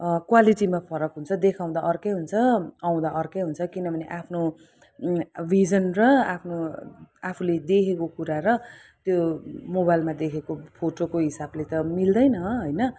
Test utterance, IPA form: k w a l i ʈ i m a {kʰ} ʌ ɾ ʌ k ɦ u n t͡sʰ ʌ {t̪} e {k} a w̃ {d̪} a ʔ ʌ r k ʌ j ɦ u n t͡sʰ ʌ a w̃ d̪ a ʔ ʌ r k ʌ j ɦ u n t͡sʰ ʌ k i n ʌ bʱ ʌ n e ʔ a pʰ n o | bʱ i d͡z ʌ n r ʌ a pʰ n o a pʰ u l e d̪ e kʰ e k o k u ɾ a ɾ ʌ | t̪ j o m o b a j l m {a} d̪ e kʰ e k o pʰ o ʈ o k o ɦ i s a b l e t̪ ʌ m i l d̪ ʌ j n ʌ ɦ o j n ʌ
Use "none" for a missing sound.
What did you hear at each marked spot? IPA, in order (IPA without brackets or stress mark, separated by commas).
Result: pʰ, d̪, kʰ, d̪, a